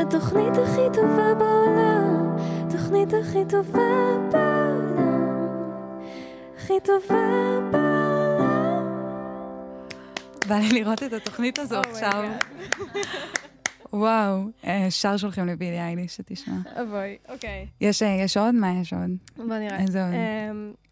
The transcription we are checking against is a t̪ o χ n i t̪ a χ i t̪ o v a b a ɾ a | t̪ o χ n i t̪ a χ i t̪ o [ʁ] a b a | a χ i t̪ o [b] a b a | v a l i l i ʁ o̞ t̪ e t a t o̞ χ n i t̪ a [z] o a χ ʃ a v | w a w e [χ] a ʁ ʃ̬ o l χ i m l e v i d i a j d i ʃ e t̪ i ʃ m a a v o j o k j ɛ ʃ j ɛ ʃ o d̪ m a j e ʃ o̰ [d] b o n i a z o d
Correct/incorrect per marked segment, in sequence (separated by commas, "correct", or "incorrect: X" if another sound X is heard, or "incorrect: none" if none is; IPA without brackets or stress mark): incorrect: v, incorrect: v, correct, incorrect: ʃ, correct